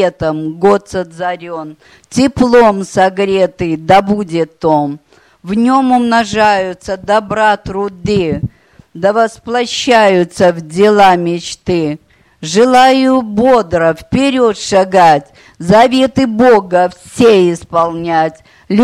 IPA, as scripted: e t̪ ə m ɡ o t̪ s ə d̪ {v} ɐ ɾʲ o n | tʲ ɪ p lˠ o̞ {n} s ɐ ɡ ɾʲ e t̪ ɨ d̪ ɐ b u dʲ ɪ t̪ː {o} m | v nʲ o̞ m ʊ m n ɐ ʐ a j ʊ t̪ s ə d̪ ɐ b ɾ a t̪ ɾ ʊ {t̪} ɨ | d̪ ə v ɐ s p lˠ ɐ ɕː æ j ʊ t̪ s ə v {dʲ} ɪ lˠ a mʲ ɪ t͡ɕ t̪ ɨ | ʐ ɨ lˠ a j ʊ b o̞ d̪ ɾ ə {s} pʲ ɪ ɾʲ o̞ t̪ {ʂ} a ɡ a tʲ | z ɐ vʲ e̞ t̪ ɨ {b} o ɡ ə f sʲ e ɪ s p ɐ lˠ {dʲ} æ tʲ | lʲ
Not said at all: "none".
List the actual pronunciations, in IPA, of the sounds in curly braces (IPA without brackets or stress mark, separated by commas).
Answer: z, m, o, d̪, dʲ, f, ʂ, b, nʲ